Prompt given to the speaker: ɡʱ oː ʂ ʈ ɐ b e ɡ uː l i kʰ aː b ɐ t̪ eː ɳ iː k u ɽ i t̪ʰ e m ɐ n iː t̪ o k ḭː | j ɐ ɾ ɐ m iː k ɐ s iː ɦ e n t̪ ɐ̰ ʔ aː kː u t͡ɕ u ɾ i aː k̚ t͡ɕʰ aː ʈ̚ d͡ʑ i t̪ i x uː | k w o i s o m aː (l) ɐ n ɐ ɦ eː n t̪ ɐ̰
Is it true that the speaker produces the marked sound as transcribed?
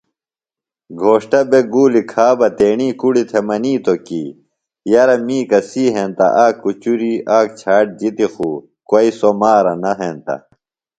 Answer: no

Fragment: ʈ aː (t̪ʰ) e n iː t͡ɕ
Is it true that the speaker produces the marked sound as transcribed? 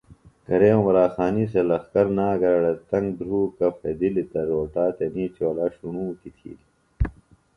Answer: no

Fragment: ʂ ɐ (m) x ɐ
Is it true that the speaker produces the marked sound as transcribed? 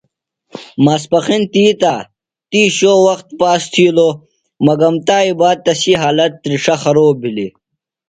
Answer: no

